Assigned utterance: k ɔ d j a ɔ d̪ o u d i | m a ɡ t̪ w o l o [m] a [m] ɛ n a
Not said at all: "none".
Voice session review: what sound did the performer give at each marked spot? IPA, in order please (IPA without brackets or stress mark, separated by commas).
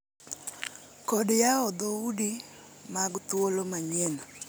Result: m, ɲ